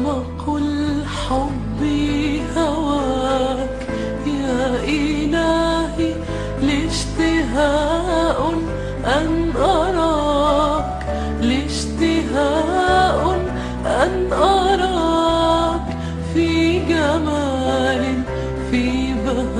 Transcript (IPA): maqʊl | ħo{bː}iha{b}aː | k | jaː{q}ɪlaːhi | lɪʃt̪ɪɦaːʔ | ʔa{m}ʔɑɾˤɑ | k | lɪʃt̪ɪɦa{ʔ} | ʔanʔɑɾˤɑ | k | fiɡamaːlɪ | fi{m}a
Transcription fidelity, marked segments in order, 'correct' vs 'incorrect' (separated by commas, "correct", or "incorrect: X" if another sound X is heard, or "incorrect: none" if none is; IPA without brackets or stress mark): correct, incorrect: w, incorrect: ʔ, incorrect: n, correct, incorrect: b